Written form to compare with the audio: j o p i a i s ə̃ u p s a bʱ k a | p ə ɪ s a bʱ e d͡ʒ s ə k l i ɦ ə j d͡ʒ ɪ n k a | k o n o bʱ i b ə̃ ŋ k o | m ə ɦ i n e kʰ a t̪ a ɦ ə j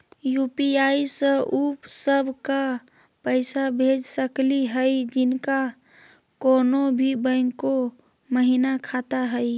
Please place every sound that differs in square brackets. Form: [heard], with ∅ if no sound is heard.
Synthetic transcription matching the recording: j [u] p i a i s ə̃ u p s [ə] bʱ k a | p ə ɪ s a bʱ e d͡ʒ s ə k l i ɦ ə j d͡ʒ ɪ n k a | k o n o bʱ i b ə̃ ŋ k o | m ə ɦ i n [a] kʰ a t̪ a ɦ ə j